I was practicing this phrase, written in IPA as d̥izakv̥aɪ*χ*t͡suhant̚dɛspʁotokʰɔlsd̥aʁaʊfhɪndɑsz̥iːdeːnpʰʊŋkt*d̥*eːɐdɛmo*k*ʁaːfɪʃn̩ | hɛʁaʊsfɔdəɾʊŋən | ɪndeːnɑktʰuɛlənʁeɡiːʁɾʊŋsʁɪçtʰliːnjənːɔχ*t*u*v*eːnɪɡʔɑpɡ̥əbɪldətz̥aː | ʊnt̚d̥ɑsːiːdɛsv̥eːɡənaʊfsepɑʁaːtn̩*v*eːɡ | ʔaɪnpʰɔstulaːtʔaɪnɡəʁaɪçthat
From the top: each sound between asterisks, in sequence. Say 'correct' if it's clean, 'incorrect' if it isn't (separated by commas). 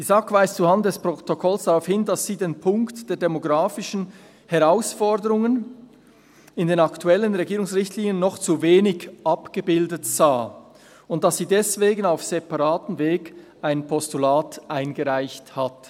incorrect, correct, incorrect, incorrect, correct, correct